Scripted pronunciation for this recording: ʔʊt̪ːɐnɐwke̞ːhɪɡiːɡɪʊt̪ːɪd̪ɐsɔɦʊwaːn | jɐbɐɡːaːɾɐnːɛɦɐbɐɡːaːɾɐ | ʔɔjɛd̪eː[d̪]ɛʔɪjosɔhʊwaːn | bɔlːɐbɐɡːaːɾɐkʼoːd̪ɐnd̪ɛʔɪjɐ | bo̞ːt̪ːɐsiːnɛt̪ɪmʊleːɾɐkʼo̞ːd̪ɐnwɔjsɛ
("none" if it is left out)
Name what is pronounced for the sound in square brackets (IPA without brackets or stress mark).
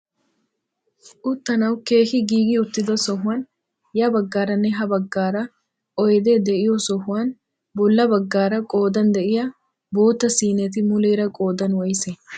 d̪